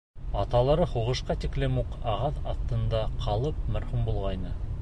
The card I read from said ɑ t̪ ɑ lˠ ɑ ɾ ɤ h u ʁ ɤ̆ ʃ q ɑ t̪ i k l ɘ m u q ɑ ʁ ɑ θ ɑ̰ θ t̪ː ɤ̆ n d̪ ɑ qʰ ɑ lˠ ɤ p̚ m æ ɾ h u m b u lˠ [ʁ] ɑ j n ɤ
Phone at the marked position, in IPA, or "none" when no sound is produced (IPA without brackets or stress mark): ʁ